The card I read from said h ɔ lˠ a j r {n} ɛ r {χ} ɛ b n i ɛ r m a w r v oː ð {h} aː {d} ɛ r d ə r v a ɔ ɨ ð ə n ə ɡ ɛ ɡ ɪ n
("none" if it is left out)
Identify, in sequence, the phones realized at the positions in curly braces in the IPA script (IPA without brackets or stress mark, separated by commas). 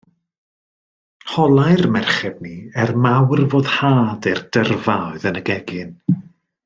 m, χ, h, d